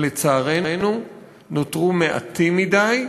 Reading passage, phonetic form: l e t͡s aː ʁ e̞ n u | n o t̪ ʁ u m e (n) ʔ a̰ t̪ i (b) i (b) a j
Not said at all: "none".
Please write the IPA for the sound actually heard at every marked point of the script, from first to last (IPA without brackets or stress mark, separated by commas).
none, m, d